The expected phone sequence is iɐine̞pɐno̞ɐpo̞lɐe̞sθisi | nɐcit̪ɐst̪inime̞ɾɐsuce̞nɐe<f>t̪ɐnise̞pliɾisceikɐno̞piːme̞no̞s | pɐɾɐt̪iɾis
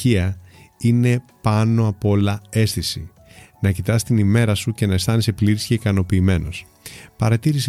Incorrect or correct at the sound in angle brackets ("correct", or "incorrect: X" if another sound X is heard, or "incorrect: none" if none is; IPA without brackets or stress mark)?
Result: incorrect: s